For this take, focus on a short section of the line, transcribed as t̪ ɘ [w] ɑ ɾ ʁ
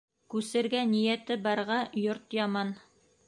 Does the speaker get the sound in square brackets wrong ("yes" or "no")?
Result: yes